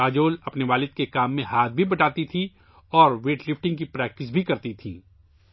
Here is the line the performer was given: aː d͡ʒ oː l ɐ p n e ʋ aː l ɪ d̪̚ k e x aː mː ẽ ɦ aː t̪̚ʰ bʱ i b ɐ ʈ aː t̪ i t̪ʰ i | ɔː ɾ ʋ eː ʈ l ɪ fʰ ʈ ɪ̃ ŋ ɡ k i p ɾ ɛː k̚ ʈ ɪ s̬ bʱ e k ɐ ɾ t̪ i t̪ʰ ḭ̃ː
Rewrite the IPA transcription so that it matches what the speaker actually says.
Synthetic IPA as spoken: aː d͡ʒ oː l ɐ p n e ʋ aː l ɪ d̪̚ k e k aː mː ẽ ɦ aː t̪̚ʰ bʱ i b ɐ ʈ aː t̪ i t̪ʰ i | ɔː ɾ ʋ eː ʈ l ɪ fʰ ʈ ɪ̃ ŋ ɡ k i p ɾ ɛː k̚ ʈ ɪ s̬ bʱ i k ɐ ɾ t̪ i t̪ʰ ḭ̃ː

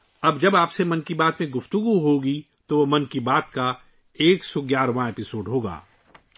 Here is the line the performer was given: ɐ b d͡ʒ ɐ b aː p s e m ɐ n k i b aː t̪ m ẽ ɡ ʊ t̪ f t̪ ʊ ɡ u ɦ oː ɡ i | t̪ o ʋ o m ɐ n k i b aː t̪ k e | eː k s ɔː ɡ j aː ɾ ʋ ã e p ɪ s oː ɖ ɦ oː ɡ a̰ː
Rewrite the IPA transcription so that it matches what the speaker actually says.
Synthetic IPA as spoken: ɐ b d͡ʒ ɐ b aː p s e m ɐ n k i b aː t̪ m ẽ ɡ ʊ f t̪ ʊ ɡ u ɦ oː ɡ i | t̪ o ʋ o m ɐ n k i b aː t̪ k a | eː k s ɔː ɡ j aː ɾ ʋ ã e p ɪ s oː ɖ ɦ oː ɡ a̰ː

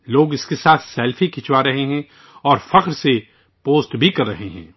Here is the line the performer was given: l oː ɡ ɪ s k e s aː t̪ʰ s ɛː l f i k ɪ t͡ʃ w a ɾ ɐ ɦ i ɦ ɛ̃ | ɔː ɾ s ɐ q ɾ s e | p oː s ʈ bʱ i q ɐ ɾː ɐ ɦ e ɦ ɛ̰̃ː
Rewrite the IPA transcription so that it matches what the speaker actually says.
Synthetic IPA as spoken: l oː ɡ ɪ s k e s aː t̪ʰ s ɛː l f i k ɪ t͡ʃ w a ɾ ɐ ɦ e ɦ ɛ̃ | ɔː ɾ f ɐ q ɾ s e | p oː s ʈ bʱ i k ɐ ɾː ɐ ɦ e ɦ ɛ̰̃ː

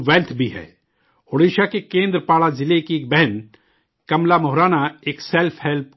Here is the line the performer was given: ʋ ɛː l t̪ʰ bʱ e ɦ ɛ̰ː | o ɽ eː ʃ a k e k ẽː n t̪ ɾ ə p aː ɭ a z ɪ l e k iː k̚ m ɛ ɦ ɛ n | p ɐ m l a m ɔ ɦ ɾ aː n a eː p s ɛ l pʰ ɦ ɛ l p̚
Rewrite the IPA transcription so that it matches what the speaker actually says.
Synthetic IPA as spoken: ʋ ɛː l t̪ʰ bʱ i ɦ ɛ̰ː | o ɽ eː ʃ a k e k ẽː n d̪ ɾ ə p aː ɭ a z ɪ l e k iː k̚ b ɛ ɦ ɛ n | k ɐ m l a m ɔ ɦ ɾ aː n a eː k s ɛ l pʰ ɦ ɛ l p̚

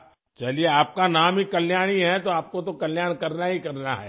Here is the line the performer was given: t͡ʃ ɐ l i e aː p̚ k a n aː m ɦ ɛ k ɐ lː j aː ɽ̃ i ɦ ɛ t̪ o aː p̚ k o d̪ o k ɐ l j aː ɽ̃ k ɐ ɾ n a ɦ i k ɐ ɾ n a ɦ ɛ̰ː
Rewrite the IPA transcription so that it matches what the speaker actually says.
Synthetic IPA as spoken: t͡ʃ ɐ l i e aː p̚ k a n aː m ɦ i k ɐ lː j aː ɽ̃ i ɦ ɛ t̪ o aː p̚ k o t̪ o k ɐ l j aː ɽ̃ k ɐ ɾ n a ɦ i k ɐ ɾ n a ɦ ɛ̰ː

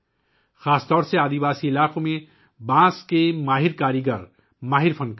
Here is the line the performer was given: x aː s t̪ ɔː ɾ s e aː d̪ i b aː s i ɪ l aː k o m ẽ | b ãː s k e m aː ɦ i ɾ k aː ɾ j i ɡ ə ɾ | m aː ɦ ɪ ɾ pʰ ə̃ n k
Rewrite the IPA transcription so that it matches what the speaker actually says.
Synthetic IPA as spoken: x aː s t̪ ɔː ɾ s e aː d̪ i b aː s i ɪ l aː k o m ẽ | b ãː s k e m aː ɦ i ɾ k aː ɾ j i ɡ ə ɾ | m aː ɦ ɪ ɾ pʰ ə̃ n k

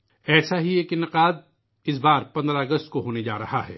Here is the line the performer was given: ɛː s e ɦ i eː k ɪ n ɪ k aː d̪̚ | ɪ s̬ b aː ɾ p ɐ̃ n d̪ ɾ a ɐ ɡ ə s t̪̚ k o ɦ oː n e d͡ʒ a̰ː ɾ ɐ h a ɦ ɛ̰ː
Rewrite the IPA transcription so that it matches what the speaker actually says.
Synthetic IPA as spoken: ɛː s a ɦ i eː k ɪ n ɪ q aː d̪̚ | ɪ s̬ b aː ɾ p ɐ̃ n d̪ ɾ a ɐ ɡ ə s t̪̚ k o ɦ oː n e d͡ʒ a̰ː ɾ ɐ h a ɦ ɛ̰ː

